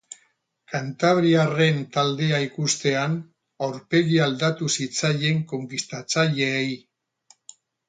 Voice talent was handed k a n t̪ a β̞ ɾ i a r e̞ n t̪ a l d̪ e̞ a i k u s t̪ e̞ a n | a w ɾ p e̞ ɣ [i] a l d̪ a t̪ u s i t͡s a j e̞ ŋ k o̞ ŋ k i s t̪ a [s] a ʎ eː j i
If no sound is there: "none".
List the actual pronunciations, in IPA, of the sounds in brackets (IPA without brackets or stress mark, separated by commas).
i, t͡s